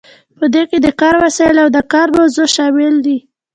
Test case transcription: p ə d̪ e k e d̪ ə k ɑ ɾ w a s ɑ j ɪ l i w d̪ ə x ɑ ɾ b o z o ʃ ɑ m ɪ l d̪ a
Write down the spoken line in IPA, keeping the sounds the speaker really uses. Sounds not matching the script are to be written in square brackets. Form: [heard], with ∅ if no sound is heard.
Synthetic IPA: p ə d̪ e k e d̪ ə k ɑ ɾ w a s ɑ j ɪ l [a] w d̪ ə [k] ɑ ɾ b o z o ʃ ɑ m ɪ l d̪ [i]